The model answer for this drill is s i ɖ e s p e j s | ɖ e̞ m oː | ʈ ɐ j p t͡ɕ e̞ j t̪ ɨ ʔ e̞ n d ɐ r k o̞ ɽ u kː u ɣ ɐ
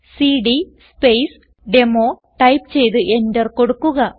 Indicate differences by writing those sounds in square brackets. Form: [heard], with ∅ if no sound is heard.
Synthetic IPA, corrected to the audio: s i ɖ [i] s p e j s | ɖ e̞ m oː | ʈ ɐ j p t͡ɕ e̞ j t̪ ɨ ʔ e̞ n d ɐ r k o̞ ɽ u kː u ɣ ɐ

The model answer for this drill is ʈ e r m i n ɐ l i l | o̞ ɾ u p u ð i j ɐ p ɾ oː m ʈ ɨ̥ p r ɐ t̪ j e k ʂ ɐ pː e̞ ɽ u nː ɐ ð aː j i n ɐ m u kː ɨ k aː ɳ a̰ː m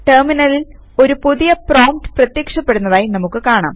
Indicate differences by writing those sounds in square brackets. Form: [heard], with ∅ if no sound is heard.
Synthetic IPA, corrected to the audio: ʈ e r m i n ɐ l i l | o̞ ɾ u p u ð i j ɐ p [r] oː m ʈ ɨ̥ p r ɐ t̪ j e k ʂ ɐ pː e̞ ɽ u nː ɐ ð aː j i n ɐ m u kː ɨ k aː ɳ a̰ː m

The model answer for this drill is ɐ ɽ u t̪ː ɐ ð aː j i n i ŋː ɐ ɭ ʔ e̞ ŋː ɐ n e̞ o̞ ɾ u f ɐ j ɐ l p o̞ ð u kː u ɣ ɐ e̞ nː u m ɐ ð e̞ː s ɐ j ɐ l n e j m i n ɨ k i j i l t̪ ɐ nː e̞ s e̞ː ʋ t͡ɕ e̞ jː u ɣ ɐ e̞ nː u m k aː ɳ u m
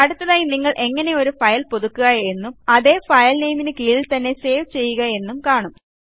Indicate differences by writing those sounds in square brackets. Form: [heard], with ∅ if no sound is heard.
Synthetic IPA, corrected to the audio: ɐ ɽ u t̪ː ɐ ð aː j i n i ŋː ɐ ɭ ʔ e̞ ŋː ɐ n e̞ o̞ ɾ u f ɐ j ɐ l p o̞ ð u kː u ɣ ɐ e̞ nː u m ɐ ð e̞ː [f] ɐ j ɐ l n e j m i n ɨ k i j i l t̪ ɐ nː e̞ s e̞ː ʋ t͡ɕ e̞ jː u ɣ ɐ e̞ nː u m k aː ɳ u m

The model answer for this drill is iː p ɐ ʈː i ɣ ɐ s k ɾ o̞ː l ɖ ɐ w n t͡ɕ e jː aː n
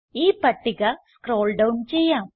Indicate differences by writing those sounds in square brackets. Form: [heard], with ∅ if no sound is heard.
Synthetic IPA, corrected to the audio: iː p ɐ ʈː i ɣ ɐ s k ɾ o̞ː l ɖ ɐ w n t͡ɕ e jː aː [m]

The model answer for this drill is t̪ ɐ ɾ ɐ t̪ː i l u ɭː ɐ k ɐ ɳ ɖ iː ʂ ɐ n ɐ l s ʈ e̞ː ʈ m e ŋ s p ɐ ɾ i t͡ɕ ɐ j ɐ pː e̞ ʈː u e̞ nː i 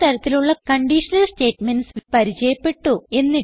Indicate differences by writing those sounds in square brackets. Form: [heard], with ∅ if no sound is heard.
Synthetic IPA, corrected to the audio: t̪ ɐ ɾ ɐ t̪ː i l u ɭː ɐ k ɐ ɳ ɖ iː ʂ ɐ n ɐ l s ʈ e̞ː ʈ m e [n] s p ɐ ɾ i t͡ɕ ɐ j ɐ pː e̞ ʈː u e̞ nː i

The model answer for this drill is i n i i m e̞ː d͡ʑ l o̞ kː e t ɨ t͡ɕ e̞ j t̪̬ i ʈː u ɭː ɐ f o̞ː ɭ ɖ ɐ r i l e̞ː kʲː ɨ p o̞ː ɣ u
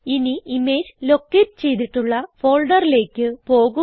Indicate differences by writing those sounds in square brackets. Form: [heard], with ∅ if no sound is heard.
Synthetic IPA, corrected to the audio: i n i i m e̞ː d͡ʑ l o̞ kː e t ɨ t͡ɕ e̞ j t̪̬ i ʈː u ɭː ɐ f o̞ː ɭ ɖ ɐ r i l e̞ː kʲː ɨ p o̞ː ɣ u

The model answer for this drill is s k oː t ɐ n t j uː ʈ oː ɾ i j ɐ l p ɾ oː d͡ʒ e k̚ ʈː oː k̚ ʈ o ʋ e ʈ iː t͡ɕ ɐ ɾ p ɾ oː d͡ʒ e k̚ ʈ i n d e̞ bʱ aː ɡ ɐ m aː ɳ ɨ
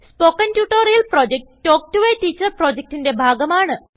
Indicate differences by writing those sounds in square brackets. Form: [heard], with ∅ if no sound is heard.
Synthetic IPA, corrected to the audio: s [p] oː [k] ɐ n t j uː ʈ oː ɾ i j ɐ l p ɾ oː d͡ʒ e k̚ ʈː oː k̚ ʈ [u] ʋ e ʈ iː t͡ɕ ɐ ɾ p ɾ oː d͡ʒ e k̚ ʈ i n d e̞ bʱ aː ɡ ɐ m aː ɳ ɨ

